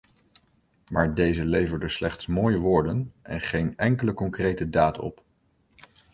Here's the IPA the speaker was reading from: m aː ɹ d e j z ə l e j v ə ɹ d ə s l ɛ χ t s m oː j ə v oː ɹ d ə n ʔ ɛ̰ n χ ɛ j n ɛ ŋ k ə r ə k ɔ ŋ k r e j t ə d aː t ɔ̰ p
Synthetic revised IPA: m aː ɹ d e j z ə l e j v ə ɹ d ə s l ɛ χ t s m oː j ə ʋ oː ɹ d ə n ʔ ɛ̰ n χ e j n ɛ ŋ k ə l ə k ɔ ŋ k r e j t ə d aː t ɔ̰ p